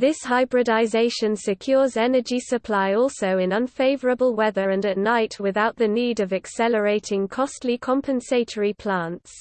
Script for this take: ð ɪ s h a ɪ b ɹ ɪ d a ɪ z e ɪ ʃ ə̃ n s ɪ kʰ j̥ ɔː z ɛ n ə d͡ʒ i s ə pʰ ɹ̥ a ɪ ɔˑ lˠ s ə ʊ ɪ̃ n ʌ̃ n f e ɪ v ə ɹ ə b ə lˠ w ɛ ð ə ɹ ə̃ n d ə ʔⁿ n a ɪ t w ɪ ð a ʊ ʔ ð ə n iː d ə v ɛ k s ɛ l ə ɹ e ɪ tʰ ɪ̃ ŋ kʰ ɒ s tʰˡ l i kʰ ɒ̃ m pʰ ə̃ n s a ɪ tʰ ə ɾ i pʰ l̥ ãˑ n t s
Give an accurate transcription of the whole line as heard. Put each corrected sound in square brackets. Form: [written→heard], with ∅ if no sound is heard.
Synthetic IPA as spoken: ð ɪ s h a ɪ b ɹ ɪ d a ɪ z e ɪ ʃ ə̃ n s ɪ kʰ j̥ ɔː z ɛ n ə d͡ʒ i s ə pʰ [ɹ̥→l̥] a ɪ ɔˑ lˠ s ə ʊ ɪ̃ n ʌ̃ n f e ɪ v ə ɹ ə b ə lˠ w ɛ ð ə ɹ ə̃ n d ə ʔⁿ n a ɪ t w ɪ ð a ʊ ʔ ð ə n iː d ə v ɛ k s ɛ l ə ɹ e ɪ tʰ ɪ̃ ŋ kʰ ɒ s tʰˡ l i kʰ ɒ̃ m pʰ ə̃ n s [a→e] ɪ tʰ ə [ɾ→ɹ] i pʰ l̥ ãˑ n t s